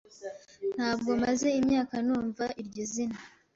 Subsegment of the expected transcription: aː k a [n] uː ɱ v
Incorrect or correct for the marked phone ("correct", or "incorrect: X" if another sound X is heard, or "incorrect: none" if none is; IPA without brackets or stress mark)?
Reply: correct